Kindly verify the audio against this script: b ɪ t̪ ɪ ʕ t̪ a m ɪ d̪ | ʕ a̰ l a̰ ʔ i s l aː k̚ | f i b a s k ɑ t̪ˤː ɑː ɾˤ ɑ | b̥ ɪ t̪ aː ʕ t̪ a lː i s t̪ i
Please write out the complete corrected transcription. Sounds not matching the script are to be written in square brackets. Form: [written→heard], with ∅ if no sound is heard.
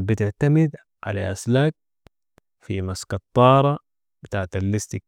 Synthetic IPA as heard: b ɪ t̪ ɪ ʕ t̪ a m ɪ d̪ | ʕ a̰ l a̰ ʔ [i→a] s l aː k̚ | f i [b→m] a s k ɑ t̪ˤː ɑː ɾˤ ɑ | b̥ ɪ t̪ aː ʕ t̪ a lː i s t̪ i